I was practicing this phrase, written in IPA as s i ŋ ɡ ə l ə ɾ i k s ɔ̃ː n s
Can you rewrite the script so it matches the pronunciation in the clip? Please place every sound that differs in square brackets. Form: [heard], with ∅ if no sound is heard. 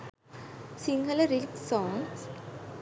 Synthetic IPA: s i ŋ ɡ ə l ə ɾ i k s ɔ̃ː [ŋ] s